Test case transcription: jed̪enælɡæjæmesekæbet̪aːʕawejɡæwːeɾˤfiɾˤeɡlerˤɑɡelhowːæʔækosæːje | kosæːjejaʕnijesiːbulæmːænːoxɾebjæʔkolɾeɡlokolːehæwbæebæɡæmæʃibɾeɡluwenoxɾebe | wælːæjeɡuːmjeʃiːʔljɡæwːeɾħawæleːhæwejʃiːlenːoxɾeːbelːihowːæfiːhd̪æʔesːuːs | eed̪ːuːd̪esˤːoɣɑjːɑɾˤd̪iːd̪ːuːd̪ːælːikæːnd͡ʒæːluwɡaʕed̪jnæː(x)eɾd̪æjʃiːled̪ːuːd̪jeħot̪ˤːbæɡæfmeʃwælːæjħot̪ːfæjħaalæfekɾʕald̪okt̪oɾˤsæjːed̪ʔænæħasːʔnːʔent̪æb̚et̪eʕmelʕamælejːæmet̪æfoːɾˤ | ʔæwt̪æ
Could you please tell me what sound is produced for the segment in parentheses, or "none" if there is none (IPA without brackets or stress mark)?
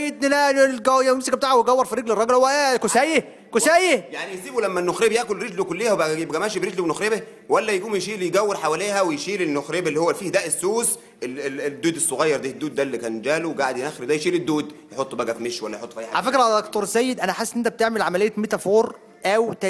x